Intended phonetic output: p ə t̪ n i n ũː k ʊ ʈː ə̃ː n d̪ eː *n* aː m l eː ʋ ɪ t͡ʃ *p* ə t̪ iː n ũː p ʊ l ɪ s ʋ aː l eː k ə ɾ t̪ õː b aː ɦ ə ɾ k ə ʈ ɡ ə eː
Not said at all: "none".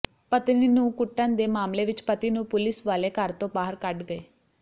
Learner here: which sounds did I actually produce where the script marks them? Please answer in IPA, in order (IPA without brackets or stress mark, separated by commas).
m, p